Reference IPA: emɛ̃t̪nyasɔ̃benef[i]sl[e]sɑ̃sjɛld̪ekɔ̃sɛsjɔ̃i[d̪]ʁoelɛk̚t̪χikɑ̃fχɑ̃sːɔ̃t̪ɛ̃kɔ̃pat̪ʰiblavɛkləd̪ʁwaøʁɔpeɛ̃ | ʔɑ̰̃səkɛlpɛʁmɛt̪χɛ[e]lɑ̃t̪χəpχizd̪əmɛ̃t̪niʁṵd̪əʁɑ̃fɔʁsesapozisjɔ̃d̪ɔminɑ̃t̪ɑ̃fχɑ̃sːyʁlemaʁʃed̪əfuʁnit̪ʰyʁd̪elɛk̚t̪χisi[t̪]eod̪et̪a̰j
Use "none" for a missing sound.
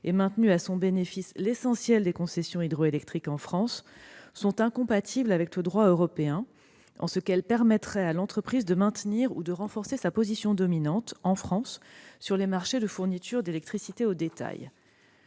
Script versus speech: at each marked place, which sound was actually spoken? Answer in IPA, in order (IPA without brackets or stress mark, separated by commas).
i, e, d̪, a, t̪